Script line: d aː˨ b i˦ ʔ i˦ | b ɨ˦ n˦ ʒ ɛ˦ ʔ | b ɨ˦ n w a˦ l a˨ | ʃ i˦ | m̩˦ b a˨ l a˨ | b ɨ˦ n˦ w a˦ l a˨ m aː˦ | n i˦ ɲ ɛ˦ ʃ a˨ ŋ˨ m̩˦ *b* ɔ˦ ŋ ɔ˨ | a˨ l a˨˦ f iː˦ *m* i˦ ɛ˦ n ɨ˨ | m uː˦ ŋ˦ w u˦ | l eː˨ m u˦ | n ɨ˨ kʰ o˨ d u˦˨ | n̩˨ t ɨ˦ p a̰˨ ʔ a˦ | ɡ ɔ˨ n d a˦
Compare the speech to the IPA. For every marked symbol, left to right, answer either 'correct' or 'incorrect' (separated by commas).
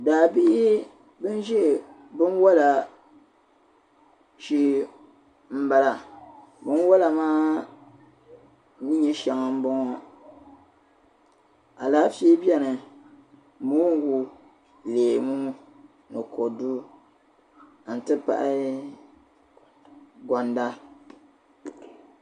correct, incorrect